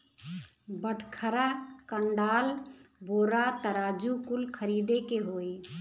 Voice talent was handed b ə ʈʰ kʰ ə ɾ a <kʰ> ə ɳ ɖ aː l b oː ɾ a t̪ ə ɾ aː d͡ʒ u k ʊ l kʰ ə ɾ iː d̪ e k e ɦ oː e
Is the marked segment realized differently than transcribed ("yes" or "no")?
yes